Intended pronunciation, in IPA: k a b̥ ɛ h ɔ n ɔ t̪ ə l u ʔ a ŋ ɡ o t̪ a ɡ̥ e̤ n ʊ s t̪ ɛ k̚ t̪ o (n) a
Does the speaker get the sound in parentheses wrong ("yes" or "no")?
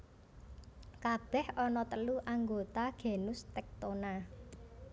no